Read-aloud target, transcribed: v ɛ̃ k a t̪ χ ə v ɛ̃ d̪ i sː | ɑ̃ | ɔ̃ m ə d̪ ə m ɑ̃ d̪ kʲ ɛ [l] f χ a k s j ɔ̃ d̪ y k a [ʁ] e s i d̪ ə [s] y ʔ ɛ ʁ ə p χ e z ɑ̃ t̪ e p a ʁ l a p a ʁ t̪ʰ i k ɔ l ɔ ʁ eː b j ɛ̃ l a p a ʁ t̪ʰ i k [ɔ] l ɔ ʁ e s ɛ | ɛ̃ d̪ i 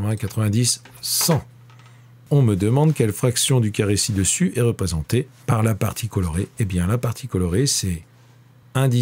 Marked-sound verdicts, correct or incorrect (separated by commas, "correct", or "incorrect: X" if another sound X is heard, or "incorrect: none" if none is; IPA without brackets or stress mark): correct, correct, correct, correct